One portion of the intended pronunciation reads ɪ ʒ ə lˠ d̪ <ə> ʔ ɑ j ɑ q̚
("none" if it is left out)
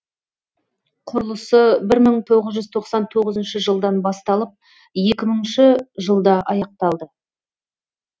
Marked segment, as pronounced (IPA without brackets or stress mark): ɑ